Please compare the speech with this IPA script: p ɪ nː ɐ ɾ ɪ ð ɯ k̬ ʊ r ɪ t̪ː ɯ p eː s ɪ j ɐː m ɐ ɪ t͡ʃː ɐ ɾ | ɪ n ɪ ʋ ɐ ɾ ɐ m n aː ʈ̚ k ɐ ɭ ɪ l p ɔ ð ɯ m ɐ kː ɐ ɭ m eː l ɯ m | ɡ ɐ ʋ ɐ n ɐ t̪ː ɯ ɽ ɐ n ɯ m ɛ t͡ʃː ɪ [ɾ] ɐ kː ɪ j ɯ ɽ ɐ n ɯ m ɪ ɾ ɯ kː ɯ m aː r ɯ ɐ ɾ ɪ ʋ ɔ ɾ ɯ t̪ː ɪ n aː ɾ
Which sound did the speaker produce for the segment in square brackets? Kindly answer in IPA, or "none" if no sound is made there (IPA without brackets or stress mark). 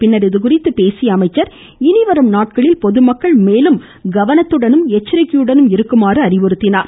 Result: ɾ